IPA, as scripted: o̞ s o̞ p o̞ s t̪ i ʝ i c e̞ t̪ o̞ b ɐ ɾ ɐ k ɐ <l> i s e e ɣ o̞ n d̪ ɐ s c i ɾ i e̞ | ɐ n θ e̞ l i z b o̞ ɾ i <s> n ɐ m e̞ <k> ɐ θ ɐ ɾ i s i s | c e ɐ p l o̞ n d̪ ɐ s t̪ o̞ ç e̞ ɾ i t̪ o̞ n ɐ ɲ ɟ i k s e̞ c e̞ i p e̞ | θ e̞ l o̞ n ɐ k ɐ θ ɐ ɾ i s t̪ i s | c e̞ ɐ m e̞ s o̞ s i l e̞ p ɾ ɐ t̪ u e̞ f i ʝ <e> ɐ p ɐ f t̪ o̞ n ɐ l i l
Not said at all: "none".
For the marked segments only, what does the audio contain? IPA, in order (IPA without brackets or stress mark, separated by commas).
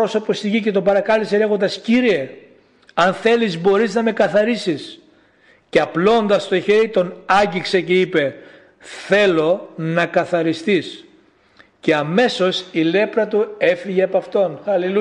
l, z, k, e